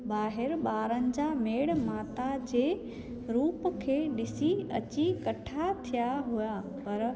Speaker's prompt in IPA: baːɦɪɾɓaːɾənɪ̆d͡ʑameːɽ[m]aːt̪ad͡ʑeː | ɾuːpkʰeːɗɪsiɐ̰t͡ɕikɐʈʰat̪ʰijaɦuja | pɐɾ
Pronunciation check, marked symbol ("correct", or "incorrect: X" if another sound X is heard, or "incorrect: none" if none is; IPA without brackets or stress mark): correct